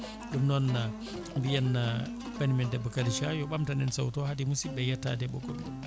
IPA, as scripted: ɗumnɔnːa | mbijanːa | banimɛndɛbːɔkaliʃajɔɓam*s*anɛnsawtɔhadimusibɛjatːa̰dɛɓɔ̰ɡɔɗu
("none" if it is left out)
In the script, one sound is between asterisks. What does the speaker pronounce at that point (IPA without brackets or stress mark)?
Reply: t